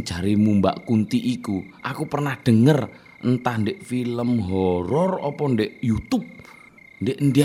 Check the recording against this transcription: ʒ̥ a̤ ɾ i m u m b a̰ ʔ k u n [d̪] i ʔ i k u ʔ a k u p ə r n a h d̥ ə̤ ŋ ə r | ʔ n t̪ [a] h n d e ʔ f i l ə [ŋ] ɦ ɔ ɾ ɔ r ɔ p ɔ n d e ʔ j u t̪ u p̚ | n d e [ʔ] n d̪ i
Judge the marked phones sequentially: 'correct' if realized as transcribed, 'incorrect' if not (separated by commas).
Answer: incorrect, correct, incorrect, correct